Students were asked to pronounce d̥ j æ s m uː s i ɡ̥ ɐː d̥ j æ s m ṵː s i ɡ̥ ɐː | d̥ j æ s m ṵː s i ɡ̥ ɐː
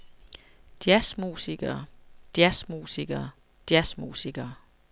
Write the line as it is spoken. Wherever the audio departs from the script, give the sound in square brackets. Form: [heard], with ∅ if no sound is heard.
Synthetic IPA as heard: d̥ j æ s m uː s i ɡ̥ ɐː d̥ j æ s m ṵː s i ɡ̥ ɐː | d̥ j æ s m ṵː s i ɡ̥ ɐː